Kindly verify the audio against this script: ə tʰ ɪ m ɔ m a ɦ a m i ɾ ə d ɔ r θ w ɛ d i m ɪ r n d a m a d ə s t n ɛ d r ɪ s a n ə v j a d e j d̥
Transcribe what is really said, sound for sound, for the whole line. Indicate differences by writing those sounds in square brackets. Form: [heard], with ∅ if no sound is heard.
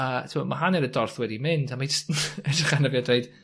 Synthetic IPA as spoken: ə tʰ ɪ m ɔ m a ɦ a [n] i ɾ ə d ɔ r θ w ɛ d i m ɪ [∅] n d a m a [d͡ʒ] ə s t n ɛ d r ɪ [χ] a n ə v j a d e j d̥